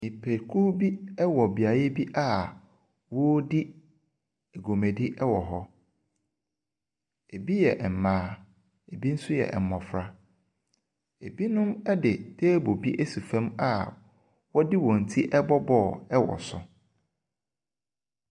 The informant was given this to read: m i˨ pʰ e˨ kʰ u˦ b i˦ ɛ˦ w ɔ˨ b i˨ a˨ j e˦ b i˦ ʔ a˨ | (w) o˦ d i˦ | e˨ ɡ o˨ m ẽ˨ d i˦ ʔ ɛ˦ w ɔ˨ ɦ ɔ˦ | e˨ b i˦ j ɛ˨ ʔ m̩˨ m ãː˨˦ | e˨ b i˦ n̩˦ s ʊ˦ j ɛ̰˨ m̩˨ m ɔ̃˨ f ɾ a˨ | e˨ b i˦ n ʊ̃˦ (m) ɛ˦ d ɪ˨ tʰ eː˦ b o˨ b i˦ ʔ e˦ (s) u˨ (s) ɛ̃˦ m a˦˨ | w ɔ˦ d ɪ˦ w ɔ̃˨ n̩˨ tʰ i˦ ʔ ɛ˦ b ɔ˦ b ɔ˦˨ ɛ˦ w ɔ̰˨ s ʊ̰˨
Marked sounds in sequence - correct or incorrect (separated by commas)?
correct, correct, correct, incorrect